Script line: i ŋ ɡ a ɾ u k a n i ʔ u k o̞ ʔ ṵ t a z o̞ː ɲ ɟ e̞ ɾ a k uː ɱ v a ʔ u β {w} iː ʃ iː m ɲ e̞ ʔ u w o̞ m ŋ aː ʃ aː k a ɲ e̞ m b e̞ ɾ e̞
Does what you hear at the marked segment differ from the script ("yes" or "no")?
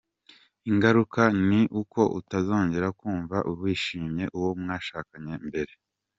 no